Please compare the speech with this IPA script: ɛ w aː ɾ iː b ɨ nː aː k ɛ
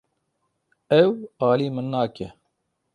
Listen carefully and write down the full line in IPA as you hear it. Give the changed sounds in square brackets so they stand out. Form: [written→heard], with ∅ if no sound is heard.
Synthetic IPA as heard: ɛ w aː [ɾ→l] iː [b→m] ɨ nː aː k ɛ

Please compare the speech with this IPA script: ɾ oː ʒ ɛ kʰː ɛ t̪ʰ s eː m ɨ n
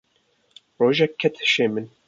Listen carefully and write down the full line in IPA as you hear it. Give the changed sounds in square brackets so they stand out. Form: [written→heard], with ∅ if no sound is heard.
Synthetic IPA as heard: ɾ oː ʒ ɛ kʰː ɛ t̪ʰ [s→ʃ] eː m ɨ n

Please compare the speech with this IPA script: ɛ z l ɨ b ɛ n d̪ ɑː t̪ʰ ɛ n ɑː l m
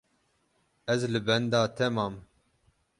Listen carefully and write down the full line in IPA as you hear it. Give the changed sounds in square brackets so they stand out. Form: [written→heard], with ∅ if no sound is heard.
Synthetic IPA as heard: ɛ z l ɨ b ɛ n d̪ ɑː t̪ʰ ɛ [n→m] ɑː [l→∅] m

